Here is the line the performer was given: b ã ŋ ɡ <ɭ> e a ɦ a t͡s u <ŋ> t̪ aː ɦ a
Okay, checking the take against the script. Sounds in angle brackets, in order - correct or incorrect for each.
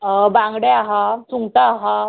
incorrect: ɽ, correct

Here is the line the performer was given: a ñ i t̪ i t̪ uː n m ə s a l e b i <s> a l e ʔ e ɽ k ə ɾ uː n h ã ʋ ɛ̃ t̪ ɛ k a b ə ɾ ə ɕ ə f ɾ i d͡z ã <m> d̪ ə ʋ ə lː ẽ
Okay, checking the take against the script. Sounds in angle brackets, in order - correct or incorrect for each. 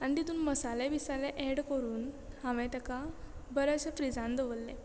correct, incorrect: n

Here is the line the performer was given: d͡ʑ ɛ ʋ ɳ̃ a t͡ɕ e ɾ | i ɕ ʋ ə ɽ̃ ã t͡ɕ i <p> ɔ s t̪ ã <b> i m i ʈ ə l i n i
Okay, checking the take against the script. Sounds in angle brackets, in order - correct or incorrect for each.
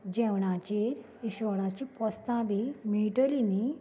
correct, correct

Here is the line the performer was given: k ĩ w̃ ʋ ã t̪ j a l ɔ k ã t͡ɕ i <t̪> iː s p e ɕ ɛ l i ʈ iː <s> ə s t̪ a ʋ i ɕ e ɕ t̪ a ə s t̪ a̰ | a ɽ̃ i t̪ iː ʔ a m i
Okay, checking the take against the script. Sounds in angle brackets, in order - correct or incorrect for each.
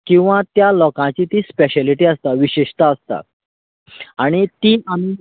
correct, incorrect: none

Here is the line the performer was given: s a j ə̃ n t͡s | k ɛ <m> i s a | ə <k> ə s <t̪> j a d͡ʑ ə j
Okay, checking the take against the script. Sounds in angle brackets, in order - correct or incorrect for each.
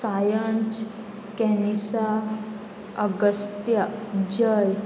incorrect: n, incorrect: ɡ, correct

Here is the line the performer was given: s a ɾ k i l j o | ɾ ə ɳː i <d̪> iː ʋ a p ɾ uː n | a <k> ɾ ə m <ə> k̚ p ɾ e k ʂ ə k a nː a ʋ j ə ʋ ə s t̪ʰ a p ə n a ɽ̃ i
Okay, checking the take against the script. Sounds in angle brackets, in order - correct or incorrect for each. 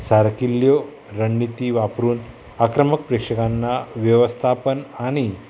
incorrect: t̪, correct, correct

